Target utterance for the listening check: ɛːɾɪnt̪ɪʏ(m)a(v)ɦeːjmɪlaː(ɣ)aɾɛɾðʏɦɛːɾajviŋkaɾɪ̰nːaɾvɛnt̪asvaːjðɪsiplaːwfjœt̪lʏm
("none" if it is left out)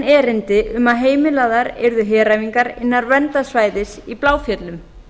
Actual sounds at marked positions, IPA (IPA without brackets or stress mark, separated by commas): m, ð, ð